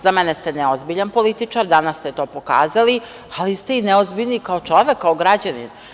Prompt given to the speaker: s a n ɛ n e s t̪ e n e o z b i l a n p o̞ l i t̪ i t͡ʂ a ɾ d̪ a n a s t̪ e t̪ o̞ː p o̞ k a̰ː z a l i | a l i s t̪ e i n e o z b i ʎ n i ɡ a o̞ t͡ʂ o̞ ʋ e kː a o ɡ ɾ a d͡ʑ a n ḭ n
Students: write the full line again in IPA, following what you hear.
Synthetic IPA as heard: z a m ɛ n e s t̪ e n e o z b i ʎ a n p o̞ l i t̪ i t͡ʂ a ɾ d̪ a n a s t̪ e t̪ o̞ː p o̞ k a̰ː z a l i | a l i s t̪ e i n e o z b i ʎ n i k a o̞ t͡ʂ o̞ ʋ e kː a o ɡ ɾ a d͡ʑ a n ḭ n